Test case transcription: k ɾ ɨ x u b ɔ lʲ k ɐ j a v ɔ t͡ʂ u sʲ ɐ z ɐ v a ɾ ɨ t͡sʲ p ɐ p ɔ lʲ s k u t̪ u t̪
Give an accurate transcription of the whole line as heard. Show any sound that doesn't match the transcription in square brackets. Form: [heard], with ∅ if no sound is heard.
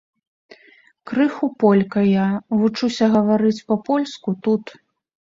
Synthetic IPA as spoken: k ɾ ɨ x u [p] ɔ lʲ k ɐ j a v [u] t͡ʂ u sʲ ɐ [ɣ] ɐ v a ɾ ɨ t͡sʲ p ɐ p ɔ lʲ s k u t̪ u t̪